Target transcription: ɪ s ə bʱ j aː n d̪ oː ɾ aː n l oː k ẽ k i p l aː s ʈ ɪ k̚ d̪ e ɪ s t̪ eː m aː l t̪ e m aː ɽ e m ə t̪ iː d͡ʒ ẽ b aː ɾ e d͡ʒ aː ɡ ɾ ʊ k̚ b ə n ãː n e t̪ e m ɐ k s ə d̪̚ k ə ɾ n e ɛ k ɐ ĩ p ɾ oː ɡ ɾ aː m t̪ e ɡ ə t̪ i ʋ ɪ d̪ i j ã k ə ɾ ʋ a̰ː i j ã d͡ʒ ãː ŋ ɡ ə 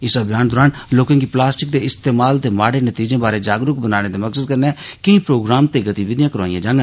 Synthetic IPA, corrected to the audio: ɪ s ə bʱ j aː n d̪ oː ɾ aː n l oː k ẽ k i p l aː s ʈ ɪ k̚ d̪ e ɪ s t̪ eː m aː l t̪ e m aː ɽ e n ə t̪ iː d͡ʒ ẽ b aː ɾ e d͡ʒ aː ɡ ɾ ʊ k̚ b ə n aː n e t̪ e m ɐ k s ə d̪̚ k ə ɾ n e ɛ k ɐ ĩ p ɾ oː ɡ ɾ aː m t̪ e ɡ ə t̪ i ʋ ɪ d̪ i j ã k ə ɾ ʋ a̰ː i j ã d͡ʒ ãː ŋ ɡ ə

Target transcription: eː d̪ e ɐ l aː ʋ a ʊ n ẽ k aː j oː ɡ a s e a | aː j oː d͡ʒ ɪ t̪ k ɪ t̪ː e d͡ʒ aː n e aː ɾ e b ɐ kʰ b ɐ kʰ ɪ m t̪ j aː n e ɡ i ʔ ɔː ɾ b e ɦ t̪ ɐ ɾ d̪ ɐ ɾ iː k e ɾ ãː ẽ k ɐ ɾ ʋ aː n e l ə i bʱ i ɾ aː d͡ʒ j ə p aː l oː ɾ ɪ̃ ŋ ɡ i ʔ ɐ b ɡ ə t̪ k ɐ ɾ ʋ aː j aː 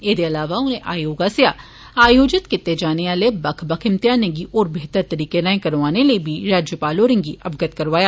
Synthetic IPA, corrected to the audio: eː d̪ e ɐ l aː ʋ a ʊ n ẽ ʔ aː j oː ɡ a s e a | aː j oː d͡ʒ ɪ t̪ k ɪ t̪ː e d͡ʒ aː n e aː l e b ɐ kʰ b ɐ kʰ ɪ m t̪ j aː n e ɡ i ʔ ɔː ɾ b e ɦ t̪ ə ɾ t̪ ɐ ɾ iː k e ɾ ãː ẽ k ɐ ɾ ʋ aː n e l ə i bʱ i ɾ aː d͡ʒ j ə p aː l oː ɾ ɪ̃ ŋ ɡ i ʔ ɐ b ɡ ə t̪ k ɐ ɾ ʋ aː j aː

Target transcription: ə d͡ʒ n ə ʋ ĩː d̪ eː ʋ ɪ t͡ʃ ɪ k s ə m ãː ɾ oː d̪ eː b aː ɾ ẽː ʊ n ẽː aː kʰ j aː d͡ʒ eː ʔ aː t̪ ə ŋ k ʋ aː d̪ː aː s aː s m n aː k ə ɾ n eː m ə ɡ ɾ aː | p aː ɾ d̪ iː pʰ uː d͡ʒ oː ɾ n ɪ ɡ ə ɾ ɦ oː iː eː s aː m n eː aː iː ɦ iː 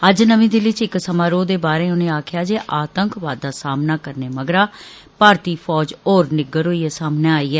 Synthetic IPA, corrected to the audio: ə d͡ʒ n ə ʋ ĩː d̪ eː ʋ ɪ t͡ʃ ɪ k s ə m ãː ɾ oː d̪ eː b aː ɾ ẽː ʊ n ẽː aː kʰ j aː d͡ʒ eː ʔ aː t̪ ə ŋ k ʋ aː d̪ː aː s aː m n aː k ə ɾ n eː m ə ɡ ɾ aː | p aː ɾ t̪ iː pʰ ɔː d͡ʒ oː ɾ n ɪ ɡ ə ɾ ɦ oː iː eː s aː m n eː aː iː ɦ ɛː

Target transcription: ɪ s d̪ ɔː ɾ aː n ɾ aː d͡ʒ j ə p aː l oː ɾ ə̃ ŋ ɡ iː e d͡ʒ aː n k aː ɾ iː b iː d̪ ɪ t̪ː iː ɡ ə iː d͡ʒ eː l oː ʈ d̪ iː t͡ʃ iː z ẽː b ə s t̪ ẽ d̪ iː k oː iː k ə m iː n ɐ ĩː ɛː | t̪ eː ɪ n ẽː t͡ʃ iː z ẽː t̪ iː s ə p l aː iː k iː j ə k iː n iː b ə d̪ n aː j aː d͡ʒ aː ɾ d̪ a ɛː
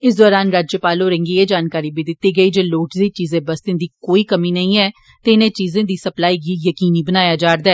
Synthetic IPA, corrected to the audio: ɪ s d̪ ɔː ɾ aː n ɾ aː d͡ʒ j ə p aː l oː ɾ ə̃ ŋ ɡ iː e d͡ʒ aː n k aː ɾ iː b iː d̪ ɪ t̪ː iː ɡ ə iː d͡ʒ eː l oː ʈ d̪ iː t͡ʃ iː z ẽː b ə s t̪ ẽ d̪ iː k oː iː k ə m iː n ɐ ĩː ɛː | t̪ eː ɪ n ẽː t͡ʃ iː z ẽː d̪ iː s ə p l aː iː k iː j ə k iː n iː b ə n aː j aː d͡ʒ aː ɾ d̪ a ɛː

